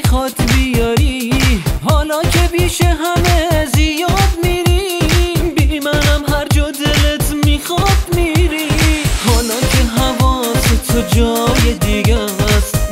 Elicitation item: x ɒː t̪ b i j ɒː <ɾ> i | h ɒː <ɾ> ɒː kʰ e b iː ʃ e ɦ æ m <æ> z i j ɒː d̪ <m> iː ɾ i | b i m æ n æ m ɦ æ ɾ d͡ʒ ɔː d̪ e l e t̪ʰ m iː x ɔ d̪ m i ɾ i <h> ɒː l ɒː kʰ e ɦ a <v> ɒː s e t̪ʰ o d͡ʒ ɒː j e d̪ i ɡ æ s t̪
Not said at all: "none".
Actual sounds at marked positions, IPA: ɾ, l, e, m, h, v

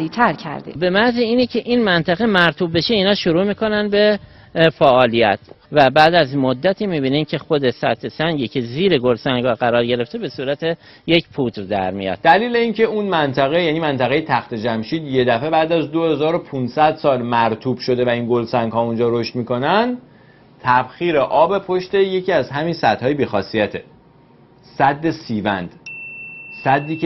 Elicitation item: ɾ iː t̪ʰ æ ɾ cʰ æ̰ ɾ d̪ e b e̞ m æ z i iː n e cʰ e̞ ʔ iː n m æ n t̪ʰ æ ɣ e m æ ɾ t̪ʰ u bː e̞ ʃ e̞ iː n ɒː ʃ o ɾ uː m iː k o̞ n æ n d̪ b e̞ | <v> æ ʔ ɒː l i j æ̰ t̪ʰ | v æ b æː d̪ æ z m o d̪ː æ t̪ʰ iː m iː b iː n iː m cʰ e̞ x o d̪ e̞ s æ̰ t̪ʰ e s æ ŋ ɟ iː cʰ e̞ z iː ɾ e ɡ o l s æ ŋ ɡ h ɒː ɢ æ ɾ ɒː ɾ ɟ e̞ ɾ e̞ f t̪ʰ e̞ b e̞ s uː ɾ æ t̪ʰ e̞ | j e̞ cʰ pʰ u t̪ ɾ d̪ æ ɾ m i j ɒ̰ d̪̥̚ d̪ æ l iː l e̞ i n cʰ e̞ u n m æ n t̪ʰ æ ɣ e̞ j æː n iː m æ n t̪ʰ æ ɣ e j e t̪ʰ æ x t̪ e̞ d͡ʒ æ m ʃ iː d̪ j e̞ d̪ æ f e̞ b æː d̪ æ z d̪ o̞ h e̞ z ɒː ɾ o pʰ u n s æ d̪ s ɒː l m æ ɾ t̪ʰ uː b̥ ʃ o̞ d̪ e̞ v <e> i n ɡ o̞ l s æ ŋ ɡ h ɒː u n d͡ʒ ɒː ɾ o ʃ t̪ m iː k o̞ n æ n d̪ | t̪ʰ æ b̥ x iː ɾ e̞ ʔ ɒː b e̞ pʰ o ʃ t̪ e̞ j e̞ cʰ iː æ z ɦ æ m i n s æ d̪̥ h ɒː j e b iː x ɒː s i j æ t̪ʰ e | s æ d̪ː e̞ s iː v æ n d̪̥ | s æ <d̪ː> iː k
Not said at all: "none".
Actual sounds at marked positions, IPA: f, æ, d̪ː

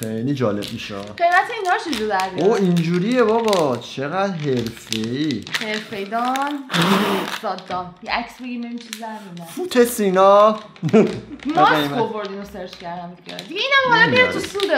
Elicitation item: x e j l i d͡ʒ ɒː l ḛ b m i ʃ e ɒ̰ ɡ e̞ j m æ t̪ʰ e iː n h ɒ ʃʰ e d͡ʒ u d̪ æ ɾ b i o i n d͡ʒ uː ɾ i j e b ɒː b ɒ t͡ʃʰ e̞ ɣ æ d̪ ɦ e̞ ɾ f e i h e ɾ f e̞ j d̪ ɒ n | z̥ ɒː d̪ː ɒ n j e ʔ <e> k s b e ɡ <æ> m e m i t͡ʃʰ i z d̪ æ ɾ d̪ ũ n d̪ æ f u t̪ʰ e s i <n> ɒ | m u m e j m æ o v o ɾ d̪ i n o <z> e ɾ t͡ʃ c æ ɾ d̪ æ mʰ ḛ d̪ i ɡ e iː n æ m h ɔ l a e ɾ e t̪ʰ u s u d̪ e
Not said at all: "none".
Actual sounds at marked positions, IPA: æ, i, n, s

